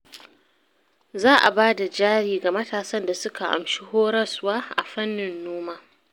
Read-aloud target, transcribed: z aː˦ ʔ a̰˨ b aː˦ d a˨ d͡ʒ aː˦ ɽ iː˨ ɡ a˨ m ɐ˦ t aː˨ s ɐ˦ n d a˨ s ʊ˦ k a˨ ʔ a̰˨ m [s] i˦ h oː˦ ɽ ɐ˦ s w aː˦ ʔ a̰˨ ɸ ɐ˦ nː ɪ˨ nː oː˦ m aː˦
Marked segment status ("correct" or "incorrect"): incorrect